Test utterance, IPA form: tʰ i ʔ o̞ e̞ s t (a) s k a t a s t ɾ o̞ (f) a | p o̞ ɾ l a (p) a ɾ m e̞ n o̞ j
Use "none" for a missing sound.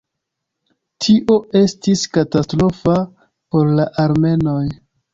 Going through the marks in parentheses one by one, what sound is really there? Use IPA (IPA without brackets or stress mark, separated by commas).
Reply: i, f, ʔ